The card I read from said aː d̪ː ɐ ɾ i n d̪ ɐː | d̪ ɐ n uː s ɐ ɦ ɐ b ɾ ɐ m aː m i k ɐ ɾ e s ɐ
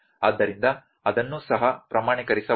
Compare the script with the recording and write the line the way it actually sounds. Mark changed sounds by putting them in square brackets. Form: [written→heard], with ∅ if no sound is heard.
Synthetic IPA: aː d̪ː ɐ ɾ i n d̪ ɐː | d̪ ɐ [n→nː] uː s ɐ ɦ ɐ [b→p] ɾ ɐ m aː [m→ɳ] i k ɐ ɾ [e→i] s ɐ